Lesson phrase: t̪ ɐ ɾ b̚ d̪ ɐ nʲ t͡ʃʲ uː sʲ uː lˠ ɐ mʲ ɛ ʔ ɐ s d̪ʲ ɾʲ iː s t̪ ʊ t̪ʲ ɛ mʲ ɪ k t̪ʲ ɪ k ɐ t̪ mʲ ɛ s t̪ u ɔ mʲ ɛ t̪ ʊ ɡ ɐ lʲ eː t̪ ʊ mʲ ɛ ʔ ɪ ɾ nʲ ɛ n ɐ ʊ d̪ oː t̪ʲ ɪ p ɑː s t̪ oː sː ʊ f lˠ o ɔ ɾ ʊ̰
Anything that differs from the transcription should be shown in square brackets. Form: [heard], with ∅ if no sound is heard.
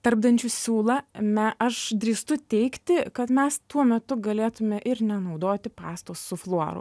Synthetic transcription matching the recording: t̪ ɐ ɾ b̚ d̪ ɐ nʲ t͡ʃʲ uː sʲ uː lˠ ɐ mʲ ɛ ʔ ɐ [ʃ] d̪ʲ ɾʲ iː s t̪ ʊ t̪ʲ ɛ [∅] ɪ k t̪ʲ ɪ k ɐ t̪ mʲ ɛ s t̪ u ɔ mʲ ɛ t̪ ʊ ɡ ɐ lʲ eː t̪ ʊ mʲ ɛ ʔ ɪ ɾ nʲ ɛ n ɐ ʊ d̪ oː t̪ʲ ɪ p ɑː s t̪ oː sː ʊ f lˠ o ɔ ɾ ʊ̰